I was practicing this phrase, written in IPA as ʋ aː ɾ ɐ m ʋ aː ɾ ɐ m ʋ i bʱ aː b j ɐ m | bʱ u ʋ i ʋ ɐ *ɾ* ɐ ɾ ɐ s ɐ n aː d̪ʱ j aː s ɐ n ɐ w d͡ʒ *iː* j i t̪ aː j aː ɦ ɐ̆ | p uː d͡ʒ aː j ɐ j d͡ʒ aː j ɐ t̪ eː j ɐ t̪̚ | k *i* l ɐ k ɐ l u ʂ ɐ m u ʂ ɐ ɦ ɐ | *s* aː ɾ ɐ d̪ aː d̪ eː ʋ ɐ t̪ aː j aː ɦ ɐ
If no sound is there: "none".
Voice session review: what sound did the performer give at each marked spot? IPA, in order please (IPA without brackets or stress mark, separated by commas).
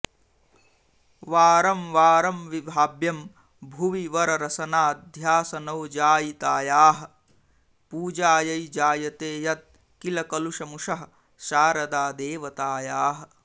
ɾ, aː, i, ʃ